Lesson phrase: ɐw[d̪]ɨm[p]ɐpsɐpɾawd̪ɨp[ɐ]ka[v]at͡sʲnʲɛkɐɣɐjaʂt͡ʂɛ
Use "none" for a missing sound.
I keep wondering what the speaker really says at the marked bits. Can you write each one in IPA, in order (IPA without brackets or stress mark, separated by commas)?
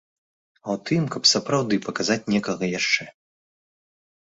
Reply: t̪, k, ɐ, z